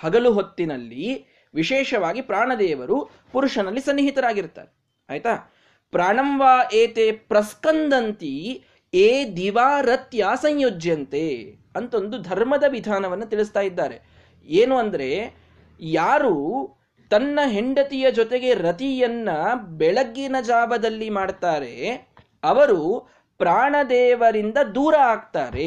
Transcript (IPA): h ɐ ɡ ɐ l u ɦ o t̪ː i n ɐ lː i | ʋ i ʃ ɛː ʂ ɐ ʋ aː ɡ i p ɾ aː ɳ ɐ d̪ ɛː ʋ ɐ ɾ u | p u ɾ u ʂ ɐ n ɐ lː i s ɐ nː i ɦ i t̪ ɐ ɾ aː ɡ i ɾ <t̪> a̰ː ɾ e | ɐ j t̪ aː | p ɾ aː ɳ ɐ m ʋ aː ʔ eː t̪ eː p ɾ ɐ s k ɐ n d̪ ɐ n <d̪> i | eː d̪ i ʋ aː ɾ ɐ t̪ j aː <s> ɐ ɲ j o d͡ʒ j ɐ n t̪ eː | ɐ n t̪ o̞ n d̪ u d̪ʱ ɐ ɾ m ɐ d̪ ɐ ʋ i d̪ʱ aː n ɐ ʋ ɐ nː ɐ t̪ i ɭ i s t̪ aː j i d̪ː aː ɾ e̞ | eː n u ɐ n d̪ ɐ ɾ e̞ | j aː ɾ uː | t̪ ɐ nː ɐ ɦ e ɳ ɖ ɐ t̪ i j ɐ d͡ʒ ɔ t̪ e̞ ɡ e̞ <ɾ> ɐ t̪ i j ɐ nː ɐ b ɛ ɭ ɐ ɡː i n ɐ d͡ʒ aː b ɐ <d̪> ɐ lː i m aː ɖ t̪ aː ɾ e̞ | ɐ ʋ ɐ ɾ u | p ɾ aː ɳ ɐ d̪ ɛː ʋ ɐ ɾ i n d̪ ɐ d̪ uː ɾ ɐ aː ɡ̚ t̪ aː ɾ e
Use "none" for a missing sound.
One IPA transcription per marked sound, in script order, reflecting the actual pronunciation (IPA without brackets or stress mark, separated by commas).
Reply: t̪, t̪, s, ɾ, d̪